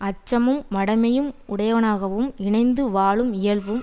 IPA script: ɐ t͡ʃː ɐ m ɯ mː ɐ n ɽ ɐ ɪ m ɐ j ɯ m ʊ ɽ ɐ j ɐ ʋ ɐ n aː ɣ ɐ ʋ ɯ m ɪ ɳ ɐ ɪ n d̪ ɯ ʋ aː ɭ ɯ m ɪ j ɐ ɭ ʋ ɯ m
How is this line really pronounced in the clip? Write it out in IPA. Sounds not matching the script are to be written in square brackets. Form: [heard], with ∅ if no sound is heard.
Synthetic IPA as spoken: ɐ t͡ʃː ɐ m ɯ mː ɐ [∅] ɽ ɐ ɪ m ɐ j ɯ m ʊ ɽ ɐ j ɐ ʋ ɐ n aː ɣ ɐ ʋ ɯ m ɪ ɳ ɐ ɪ n d̪ ɯ ʋ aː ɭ ɯ m ɪ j ɐ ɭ ʋ ɯ m